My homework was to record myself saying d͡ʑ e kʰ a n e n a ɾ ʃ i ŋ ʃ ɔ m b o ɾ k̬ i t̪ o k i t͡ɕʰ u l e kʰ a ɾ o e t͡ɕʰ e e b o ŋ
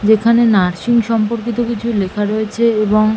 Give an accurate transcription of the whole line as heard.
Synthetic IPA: d͡ʑ e kʰ a n e n a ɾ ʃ i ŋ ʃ ɔ m p o ɾ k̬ i t̪ o k i t͡ɕʰ u l e kʰ a ɾ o e t͡ɕʰ e e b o ŋ